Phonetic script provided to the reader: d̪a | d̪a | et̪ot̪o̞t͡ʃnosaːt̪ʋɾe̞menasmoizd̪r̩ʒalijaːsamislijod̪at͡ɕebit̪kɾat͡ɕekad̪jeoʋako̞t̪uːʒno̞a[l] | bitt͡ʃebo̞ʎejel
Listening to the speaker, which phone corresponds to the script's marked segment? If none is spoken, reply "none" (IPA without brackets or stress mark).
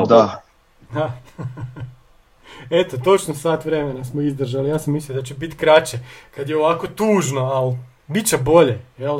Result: l